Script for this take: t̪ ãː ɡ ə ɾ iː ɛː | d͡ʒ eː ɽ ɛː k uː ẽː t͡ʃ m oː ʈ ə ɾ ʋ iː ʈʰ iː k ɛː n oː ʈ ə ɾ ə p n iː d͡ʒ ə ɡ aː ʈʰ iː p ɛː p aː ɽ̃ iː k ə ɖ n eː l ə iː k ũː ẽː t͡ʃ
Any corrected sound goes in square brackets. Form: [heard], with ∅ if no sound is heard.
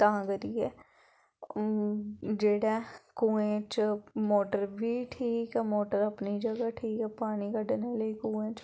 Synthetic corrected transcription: t̪ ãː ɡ ə ɾ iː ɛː | d͡ʒ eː ɽ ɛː k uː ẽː t͡ʃ m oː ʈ ə ɾ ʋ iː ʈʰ iː k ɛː [m] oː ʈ ə ɾ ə p n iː d͡ʒ ə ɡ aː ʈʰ iː [k] ɛː p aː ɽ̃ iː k ə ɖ n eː l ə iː k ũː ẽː t͡ʃ

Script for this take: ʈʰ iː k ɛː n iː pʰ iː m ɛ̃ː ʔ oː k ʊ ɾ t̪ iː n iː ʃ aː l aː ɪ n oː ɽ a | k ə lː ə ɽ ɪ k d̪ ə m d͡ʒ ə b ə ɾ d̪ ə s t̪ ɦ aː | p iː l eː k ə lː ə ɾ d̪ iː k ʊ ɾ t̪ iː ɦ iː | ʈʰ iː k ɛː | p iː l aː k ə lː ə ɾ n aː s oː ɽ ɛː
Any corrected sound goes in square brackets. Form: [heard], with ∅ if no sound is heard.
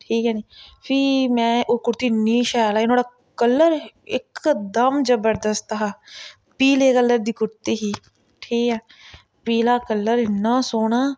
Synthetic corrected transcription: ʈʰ iː k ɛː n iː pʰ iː m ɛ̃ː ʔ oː k ʊ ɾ t̪ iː n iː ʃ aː l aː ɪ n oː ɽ a | k ə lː ə [ɾ] ɪ k d̪ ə m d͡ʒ ə b ə ɾ d̪ ə s t̪ ɦ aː | p iː l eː k ə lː ə ɾ d̪ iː k ʊ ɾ t̪ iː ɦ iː | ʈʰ iː k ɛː | p iː l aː k ə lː ə ɾ n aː s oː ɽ [aː]

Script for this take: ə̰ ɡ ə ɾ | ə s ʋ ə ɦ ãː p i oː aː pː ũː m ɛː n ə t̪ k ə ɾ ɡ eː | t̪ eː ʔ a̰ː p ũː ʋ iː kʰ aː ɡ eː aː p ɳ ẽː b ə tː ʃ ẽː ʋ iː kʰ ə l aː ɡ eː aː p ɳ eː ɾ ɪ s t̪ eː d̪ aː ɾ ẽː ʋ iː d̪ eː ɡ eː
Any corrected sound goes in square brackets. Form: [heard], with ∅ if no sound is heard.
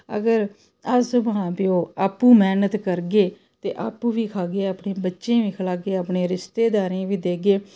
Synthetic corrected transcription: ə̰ ɡ ə ɾ | ə s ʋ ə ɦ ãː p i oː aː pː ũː m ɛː n ə t̪ k ə ɾ ɡ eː | t̪ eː ʔ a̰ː p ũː ʋ iː kʰ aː ɡ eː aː p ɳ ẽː b ə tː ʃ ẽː ʋ iː kʰ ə l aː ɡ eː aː p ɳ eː ɾ ɪ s t̪ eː d̪ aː ɾ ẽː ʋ iː d̪ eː ɡ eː

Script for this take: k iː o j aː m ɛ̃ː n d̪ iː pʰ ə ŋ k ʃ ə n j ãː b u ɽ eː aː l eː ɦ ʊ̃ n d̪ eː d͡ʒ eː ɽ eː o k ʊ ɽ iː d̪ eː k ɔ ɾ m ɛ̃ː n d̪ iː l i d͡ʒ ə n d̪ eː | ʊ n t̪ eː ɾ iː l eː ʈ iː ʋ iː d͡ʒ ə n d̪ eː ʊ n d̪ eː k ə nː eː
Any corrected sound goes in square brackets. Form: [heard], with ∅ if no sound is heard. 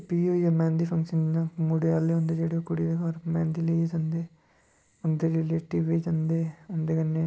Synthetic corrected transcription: [p] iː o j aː m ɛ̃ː n d̪ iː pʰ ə ŋ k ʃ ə n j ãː [m] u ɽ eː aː l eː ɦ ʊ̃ n d̪ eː d͡ʒ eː ɽ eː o k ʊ ɽ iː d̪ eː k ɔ ɾ m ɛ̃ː n d̪ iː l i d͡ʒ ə n d̪ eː | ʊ n [d̪] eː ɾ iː l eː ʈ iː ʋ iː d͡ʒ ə n d̪ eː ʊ n d̪ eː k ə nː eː

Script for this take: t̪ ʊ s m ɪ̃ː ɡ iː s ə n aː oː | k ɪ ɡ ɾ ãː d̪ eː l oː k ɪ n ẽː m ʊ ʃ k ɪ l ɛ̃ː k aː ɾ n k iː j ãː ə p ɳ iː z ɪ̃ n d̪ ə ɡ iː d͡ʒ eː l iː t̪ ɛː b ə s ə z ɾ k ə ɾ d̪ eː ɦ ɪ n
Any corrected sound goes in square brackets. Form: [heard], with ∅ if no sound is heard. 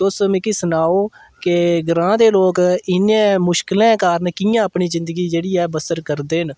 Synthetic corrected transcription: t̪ ʊ s m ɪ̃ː [k] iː s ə n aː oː | k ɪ ɡ ɾ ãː d̪ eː l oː k ɪ n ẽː m ʊ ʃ k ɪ l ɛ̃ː k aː ɾ n k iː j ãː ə p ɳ iː z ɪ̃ n d̪ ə ɡ iː d͡ʒ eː [ɽ] iː [∅] ɛː b ə s ə [∅] ɾ k ə ɾ d̪ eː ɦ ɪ n

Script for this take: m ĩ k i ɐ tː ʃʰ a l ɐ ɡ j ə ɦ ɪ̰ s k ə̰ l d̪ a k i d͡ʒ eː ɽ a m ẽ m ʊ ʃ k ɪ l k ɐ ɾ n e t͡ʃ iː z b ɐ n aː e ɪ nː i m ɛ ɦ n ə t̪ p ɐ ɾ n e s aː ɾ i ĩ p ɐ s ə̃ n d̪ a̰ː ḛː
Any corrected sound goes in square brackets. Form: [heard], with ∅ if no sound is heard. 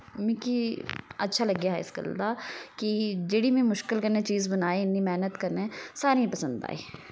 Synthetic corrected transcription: m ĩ k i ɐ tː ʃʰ a l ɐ ɡ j [a] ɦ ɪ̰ s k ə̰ l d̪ a k i d͡ʒ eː ɽ [i] m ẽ m ʊ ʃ k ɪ l k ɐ ɾ n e t͡ʃ iː z b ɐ n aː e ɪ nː i m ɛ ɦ n ə t̪ [k] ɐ ɾ n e s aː ɾ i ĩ p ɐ s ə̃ n d̪ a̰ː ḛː

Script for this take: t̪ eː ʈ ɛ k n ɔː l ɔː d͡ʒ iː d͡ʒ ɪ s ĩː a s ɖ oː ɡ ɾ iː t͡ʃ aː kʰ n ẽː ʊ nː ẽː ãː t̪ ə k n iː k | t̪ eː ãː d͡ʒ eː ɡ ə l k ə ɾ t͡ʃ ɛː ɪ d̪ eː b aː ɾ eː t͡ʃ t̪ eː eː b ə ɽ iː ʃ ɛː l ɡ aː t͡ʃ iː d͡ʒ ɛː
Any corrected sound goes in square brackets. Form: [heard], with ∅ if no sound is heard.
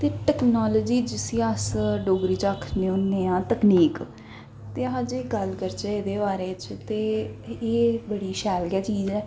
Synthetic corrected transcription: t̪ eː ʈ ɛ k n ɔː l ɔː d͡ʒ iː d͡ʒ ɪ s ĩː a s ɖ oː ɡ ɾ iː t͡ʃ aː kʰ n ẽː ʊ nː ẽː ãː t̪ ə k n iː k | t̪ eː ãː d͡ʒ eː ɡ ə l k ə ɾ t͡ʃ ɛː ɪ d̪ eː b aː ɾ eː t͡ʃ t̪ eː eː b ə ɽ iː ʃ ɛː l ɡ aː t͡ʃ iː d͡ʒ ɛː

